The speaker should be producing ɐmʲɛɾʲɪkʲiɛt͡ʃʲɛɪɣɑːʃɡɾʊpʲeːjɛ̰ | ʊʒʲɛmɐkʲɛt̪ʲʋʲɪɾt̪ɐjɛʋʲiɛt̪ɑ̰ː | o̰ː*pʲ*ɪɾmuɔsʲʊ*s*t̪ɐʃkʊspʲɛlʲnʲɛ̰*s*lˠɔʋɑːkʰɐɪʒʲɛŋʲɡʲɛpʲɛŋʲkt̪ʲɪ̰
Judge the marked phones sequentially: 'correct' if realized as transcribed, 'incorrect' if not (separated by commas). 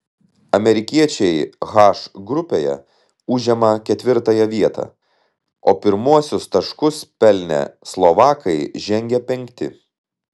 correct, correct, correct